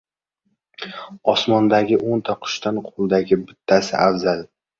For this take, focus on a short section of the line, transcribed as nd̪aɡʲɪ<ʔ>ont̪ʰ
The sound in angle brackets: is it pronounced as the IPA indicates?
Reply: yes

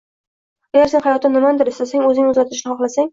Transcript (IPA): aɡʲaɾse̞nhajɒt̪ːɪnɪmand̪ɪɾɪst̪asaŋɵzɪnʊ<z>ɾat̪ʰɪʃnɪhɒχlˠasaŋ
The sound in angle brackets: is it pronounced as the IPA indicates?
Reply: yes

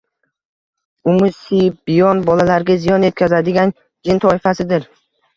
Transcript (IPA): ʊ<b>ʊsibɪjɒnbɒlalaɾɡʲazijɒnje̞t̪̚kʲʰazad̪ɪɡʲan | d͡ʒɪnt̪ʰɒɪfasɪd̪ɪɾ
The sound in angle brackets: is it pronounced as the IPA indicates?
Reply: no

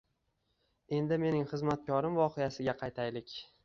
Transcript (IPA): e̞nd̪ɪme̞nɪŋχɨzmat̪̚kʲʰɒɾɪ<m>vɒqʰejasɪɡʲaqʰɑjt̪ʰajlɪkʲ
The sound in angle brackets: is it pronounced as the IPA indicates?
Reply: yes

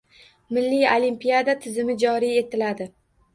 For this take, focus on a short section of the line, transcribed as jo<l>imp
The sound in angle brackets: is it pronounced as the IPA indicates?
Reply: yes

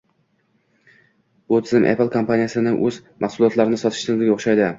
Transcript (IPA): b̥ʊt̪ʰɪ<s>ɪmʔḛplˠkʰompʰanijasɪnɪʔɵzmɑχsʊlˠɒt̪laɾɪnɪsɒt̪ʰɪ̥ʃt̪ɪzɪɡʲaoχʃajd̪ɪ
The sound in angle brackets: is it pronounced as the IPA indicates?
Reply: no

